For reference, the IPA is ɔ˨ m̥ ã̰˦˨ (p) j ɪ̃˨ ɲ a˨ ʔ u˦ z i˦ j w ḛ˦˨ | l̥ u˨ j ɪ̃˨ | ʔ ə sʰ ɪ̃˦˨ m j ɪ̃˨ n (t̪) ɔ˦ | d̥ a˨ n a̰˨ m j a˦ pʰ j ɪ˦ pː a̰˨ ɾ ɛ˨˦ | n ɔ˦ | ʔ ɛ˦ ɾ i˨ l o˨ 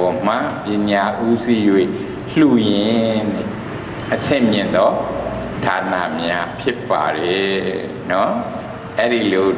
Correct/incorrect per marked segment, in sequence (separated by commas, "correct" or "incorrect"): correct, incorrect